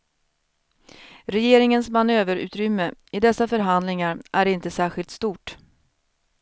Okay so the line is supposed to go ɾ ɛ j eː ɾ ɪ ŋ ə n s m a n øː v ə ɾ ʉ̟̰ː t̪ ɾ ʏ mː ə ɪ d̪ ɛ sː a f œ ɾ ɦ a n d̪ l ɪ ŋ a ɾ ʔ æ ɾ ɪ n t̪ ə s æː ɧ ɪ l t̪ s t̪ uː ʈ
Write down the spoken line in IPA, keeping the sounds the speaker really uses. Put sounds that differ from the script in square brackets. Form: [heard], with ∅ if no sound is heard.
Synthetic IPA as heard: ɾ ɛ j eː ɾ ɪ ŋ ə n s m a n øː v ə ɾ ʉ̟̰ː t̪ ɾ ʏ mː ə ɪ d̪ ɛ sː a f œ ɾ ɦ a n d̪ l ɪ ŋ a ɾ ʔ æ ɾ ɪ n t̪ ə s æː ɧ ɪ l t̪ s t̪ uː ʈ